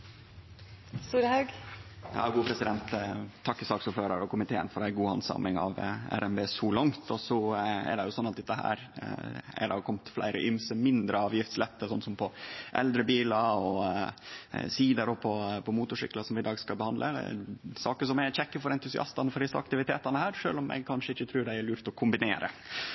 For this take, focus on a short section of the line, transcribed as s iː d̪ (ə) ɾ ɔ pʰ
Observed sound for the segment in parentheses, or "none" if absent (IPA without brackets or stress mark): ə